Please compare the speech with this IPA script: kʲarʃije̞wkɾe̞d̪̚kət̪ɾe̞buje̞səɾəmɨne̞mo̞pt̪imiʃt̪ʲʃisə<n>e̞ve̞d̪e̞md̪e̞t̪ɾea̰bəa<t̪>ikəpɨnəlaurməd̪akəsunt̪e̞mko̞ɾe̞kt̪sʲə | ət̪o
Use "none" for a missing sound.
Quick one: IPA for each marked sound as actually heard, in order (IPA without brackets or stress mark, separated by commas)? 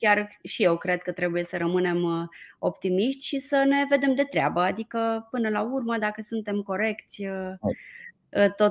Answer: n, d̪